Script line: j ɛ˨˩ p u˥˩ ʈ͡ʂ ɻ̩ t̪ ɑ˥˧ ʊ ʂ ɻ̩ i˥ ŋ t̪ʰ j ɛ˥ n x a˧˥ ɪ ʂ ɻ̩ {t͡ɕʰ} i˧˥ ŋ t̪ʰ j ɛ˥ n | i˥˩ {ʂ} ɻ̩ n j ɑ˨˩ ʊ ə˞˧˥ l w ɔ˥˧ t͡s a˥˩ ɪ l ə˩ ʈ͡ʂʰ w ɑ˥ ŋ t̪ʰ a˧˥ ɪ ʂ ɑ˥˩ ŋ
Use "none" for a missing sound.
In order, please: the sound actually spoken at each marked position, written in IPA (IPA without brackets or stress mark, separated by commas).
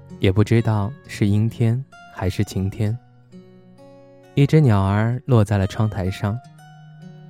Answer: t͡ɕʰ, ʈ͡ʂ